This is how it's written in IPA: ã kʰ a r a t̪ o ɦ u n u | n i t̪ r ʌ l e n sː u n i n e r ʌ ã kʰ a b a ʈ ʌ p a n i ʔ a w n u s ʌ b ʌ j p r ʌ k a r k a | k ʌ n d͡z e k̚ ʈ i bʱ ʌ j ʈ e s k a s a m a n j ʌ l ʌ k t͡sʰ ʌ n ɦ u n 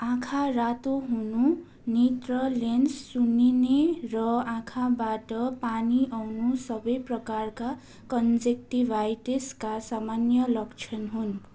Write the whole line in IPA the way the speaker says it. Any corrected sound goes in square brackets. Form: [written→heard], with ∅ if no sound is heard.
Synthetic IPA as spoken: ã kʰ a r a t̪ o ɦ u n u | n i t̪ r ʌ l e n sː u n i n e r ʌ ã kʰ a b a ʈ ʌ p a n i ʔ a w n u s ʌ b ʌ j p r ʌ k a r k a | k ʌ n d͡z e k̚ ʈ i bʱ [ʌ→a] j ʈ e s k a s a m a n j ʌ l ʌ k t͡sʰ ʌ n ɦ u n